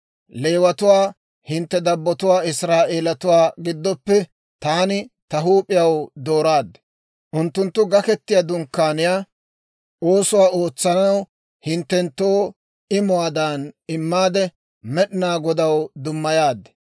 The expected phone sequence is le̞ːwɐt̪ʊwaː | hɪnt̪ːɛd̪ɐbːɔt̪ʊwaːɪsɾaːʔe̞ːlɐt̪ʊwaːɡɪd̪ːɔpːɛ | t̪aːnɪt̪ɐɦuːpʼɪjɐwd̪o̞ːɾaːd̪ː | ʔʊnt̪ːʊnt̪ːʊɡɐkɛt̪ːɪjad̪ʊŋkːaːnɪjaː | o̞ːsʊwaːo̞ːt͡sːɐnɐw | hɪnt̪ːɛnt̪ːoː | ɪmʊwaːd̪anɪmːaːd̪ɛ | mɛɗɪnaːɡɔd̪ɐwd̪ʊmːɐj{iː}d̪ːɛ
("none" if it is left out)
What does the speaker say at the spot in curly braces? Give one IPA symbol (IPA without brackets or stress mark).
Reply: aː